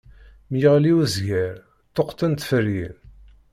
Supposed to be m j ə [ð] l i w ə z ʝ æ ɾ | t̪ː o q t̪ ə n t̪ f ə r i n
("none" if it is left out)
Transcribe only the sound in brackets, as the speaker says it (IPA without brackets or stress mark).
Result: ʁ